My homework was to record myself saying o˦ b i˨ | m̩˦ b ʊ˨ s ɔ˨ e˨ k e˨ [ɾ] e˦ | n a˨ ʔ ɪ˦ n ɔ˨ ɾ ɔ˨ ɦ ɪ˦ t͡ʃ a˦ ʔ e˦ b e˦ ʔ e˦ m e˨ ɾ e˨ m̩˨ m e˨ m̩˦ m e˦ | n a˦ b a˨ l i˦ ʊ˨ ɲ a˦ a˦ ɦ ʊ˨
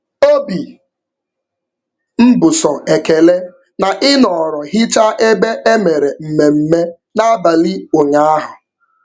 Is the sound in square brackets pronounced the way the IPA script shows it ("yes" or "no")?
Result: no